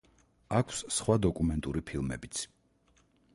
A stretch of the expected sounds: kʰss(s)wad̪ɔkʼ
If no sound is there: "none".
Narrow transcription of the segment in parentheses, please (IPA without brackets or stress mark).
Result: χ